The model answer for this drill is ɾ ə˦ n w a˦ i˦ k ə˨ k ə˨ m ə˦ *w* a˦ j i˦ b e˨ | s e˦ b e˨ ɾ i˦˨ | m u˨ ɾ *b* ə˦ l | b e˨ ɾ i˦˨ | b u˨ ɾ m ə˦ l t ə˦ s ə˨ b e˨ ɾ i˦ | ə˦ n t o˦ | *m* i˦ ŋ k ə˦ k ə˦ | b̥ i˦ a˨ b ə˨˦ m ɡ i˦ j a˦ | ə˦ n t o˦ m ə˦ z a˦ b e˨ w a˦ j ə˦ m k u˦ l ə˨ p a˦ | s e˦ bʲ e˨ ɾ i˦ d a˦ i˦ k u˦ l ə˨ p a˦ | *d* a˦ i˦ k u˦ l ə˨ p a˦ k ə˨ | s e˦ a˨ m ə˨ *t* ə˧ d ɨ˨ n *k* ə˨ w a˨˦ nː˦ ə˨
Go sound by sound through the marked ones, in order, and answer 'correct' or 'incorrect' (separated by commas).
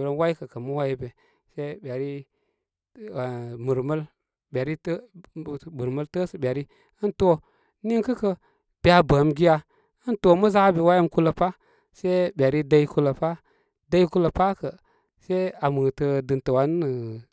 correct, incorrect, incorrect, correct, correct, incorrect